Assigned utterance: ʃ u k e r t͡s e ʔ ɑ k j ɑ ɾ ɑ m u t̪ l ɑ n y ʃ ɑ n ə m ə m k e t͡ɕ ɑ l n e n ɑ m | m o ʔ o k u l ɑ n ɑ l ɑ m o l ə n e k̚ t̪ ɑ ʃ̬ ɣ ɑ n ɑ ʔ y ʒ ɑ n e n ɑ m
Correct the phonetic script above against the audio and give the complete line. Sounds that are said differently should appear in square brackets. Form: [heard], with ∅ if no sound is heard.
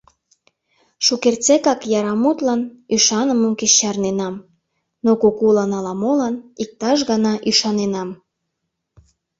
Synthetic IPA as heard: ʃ u k e r t͡s e [k] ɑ k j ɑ ɾ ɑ m u t̪ l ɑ n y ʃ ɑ n ə m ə m k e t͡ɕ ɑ [r] n e n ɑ m | [n] o [k] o k u l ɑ n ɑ l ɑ m o l [ɑ] n [i] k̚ t̪ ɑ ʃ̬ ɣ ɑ n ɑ ʔ y [ʃ] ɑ n e n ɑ m

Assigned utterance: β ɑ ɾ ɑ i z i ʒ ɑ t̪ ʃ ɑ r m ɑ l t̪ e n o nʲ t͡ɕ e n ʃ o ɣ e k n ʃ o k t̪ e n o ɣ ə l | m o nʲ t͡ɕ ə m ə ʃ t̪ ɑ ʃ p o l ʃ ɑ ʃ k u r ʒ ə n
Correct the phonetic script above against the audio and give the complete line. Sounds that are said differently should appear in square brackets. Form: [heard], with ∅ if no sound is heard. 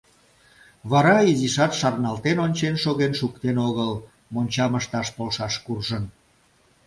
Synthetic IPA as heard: β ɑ ɾ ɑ i z i [ʃ] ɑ t̪ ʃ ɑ r [n] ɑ l t̪ e n o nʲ t͡ɕ e n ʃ o ɣ e [∅] n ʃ [u] k t̪ e n o ɣ ə l | m o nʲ t͡ɕ [ɑ] m ə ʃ t̪ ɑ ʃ p o l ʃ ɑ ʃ k u r ʒ ə n

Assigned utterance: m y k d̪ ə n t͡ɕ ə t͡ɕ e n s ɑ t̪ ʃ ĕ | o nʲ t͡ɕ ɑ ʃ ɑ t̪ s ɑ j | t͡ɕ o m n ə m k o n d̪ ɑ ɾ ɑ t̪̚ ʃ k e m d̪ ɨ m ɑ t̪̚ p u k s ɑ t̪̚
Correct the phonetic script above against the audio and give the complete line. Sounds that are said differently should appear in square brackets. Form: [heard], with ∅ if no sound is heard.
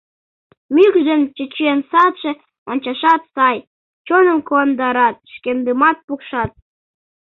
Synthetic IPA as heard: m y k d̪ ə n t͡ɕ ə t͡ɕ e n s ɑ t̪ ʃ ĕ | o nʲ t͡ɕ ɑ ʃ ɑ t̪ s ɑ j | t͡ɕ o [∅] n ə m k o n d̪ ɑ ɾ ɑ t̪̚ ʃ k e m d̪ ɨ m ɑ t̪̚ p u k [ʃ] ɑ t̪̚

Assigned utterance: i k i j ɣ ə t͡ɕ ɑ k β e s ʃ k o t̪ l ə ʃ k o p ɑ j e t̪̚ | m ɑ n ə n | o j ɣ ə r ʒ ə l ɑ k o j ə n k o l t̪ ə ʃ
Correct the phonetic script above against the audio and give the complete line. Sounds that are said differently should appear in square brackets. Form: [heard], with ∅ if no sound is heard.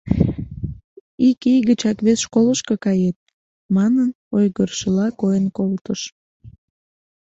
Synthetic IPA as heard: i k i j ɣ ə t͡ɕ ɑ k β e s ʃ k o [∅] l ə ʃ k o [k] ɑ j e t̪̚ | m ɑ n ə n | o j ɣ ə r [ʃ] ə l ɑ k o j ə n k o l t̪ ə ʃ

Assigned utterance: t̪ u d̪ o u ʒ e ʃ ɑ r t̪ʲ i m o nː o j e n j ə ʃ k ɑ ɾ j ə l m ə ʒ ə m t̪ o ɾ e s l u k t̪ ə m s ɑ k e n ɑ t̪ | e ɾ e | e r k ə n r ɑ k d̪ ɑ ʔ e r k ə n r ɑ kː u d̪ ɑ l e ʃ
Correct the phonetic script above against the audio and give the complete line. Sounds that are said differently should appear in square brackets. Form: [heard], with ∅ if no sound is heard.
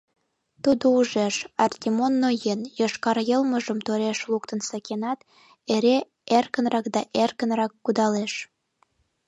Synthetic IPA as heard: t̪ u d̪ o u ʒ e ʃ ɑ r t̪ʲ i m o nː o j e n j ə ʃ k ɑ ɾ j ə l m ə ʒ ə m t̪ o ɾ e [ʃ] l u k t̪ ə [n] s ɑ k e n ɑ t̪ | e ɾ e | e r k ə n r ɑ k d̪ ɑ ʔ e r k ə n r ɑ kː u d̪ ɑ l e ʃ

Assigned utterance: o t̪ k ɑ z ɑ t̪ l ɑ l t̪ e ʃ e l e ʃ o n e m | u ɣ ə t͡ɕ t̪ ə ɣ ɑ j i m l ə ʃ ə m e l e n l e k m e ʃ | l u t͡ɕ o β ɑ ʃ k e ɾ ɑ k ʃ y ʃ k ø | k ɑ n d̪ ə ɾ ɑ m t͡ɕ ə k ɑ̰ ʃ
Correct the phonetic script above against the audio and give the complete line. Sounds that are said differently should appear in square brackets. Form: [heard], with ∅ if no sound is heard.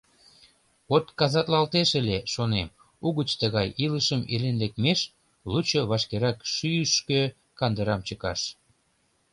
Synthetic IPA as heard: o t̪ k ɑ z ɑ t̪ l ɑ l t̪ e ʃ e l e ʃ o n e m | u ɣ ə t͡ɕ t̪ ə ɣ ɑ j i [∅] l ə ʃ ə m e l e n l e k m e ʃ | l u t͡ɕ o β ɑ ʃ k e ɾ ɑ k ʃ y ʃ k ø | k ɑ n d̪ ə ɾ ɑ m t͡ɕ ə k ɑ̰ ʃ

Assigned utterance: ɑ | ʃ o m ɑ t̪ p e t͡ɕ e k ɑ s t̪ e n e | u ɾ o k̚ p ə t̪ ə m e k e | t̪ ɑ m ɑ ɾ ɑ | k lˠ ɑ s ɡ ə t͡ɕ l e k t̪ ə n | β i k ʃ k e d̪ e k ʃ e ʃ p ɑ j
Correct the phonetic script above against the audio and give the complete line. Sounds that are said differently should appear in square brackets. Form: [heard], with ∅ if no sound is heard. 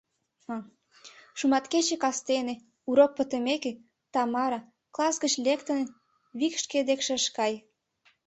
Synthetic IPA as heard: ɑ | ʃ [u] m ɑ t̪ [k] e t͡ɕ e k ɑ s t̪ e n e | u ɾ o k̚ p ə t̪ ə m e k e | t̪ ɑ m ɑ ɾ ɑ | k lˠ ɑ s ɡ ə t͡ɕ l e k t̪ ə n | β i k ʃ k e d̪ e k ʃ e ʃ [k] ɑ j

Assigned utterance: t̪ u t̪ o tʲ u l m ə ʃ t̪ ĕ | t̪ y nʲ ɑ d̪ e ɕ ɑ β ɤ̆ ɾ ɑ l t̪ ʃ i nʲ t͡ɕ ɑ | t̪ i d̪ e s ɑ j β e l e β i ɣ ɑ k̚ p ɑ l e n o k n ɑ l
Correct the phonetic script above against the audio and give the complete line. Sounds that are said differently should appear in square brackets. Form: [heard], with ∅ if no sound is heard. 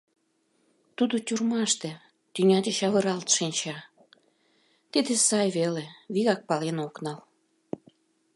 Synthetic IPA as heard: t̪ u [d̪] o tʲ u [r] m [ɑ] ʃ t̪ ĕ | t̪ y nʲ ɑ d̪ e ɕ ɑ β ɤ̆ ɾ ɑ l t̪ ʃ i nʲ t͡ɕ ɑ | t̪ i d̪ e s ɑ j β e l e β i ɣ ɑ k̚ p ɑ l e n o k n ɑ l

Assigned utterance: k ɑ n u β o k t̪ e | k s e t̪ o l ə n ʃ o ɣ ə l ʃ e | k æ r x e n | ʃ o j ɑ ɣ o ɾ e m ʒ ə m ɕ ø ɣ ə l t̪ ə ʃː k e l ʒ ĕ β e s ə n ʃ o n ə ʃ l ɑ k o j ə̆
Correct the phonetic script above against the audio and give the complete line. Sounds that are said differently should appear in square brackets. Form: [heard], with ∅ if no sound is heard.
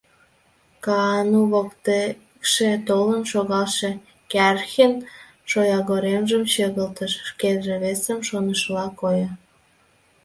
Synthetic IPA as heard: k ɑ n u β o k t̪ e | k [ʃ] e t̪ o l ə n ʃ o ɣ [ɑ] l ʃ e | k æ r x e n | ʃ o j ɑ ɣ o ɾ e m ʒ ə m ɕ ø ɣ ə l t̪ ə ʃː k e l ʒ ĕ β e s ə [m] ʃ o n ə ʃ l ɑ k o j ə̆

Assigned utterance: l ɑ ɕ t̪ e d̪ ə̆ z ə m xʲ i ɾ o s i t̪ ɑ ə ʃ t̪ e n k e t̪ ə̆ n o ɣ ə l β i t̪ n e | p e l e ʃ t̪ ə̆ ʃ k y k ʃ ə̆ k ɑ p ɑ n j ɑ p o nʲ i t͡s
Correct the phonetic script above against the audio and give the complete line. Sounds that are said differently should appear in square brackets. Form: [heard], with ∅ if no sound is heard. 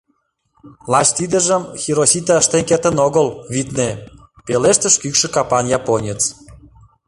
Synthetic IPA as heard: l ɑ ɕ t̪ [i] d̪ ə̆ [ʒ] ə m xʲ i ɾ o s i t̪ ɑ ə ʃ t̪ e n k e t̪ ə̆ n o ɣ ə l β i t̪ n e | p e l e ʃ t̪ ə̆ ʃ k y k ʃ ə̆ k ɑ p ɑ n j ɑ p o nʲ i t͡s

